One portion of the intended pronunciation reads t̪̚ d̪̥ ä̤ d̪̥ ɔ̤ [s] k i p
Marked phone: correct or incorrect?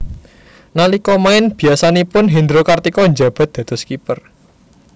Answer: correct